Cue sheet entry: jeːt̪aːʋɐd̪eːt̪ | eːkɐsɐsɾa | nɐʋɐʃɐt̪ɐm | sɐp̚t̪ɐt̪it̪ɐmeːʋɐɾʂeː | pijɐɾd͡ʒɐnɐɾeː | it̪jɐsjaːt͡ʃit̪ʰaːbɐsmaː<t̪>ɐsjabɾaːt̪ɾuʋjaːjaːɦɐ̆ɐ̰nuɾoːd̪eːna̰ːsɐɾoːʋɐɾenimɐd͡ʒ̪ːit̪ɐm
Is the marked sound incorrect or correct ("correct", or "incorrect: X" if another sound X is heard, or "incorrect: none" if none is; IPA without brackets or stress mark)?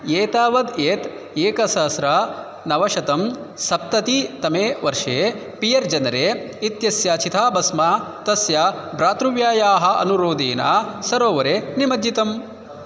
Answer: correct